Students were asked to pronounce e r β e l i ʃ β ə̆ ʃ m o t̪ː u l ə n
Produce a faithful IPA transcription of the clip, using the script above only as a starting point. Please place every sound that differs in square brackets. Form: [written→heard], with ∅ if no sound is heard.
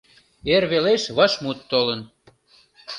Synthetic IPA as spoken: e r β e l [i→e] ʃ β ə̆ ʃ m [o→u] t̪ː [u→o] l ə n